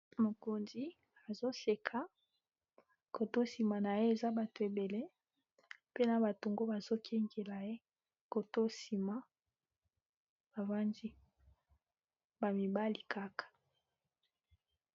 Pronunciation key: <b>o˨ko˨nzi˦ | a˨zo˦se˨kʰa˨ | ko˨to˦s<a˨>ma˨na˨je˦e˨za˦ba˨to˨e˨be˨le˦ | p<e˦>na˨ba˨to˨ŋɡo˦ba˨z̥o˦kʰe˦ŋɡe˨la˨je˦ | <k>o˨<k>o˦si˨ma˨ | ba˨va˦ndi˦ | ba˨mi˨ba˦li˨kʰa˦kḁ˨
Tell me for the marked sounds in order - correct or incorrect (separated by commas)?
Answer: incorrect, incorrect, correct, correct, incorrect